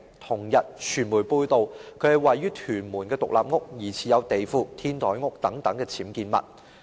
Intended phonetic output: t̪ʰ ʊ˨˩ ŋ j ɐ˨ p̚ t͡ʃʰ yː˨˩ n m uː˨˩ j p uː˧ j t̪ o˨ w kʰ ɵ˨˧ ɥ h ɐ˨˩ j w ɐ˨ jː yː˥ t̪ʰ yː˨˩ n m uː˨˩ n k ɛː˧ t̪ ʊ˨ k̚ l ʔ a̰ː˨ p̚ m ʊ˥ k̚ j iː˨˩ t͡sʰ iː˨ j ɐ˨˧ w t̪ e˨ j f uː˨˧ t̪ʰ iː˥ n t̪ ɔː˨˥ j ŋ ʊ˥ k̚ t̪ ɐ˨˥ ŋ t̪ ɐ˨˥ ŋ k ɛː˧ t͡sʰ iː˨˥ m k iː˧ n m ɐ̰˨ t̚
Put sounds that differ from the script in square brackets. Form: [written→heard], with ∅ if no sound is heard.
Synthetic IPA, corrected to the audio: t̪ʰ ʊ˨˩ ŋ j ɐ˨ [p̚→t̚] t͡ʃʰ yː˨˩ n m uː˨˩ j p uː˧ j t̪ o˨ w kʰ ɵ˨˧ ɥ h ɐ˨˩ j w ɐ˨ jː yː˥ t̪ʰ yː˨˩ n m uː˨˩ n k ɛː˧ t̪ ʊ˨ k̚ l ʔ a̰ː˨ p̚ [m→ŋ] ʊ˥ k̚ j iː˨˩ t͡sʰ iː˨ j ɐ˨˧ w t̪ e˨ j f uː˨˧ t̪ʰ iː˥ n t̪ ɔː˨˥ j ŋ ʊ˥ k̚ t̪ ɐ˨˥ ŋ t̪ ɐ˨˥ ŋ k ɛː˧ t͡sʰ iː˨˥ m k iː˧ n m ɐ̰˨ t̚